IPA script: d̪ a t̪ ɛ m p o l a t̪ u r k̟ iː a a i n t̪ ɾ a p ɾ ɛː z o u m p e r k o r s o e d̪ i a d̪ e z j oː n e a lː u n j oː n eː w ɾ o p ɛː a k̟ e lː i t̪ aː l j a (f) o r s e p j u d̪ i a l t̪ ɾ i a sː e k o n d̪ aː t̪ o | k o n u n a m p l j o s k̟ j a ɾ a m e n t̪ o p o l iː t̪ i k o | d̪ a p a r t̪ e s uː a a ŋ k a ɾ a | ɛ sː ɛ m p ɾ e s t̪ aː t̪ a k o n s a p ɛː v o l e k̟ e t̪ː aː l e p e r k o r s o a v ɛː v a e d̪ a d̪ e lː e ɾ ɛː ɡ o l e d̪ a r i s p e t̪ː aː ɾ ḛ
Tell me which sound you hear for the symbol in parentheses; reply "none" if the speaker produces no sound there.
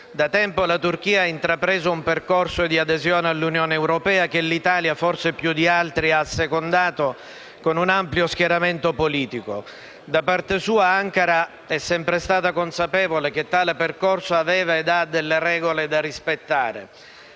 f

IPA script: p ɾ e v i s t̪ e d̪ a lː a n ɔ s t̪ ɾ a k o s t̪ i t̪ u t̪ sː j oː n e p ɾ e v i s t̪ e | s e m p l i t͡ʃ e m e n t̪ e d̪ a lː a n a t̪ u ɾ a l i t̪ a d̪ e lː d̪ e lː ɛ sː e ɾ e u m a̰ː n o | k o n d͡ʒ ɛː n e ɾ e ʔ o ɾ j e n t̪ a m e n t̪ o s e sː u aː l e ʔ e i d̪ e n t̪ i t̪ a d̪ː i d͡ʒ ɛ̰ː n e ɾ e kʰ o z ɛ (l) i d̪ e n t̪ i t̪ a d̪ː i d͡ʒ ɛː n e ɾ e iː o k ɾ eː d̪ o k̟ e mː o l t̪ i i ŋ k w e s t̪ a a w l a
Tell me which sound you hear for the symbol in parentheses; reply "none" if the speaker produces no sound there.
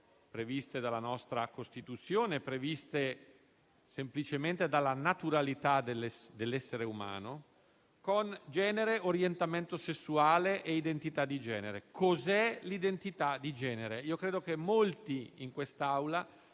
l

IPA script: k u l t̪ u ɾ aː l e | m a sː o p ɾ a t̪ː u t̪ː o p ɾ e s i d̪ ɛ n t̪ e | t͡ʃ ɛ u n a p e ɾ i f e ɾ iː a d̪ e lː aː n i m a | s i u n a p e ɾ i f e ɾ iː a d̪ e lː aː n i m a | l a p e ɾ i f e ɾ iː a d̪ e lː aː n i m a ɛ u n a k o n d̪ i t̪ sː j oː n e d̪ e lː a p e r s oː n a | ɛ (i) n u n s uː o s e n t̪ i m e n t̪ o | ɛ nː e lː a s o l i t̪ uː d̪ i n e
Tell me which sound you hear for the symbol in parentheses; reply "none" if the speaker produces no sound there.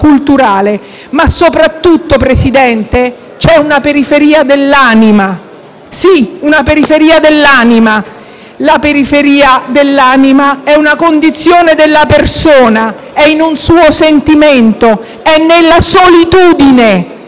i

